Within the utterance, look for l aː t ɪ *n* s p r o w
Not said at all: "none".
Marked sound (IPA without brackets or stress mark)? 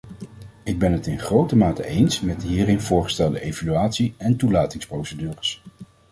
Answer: ŋ